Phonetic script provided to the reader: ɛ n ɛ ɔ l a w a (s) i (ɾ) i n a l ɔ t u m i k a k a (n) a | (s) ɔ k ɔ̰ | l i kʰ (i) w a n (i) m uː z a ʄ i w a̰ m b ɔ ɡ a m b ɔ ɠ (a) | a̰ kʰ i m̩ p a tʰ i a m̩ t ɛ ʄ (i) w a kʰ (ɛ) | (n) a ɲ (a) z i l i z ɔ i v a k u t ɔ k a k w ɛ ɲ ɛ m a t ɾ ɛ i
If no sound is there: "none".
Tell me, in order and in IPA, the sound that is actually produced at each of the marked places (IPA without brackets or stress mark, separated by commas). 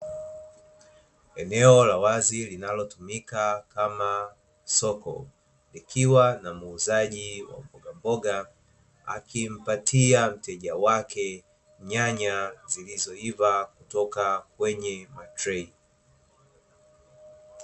z, l, m, s, i, a, a, a, ɛ, ɲ, a